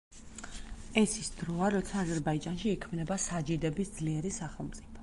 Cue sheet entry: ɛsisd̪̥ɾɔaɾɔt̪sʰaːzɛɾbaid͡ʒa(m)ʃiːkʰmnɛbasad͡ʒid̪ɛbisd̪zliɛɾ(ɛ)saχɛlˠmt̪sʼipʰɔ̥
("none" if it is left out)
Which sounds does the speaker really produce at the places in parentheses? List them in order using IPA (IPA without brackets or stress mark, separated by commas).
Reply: n, i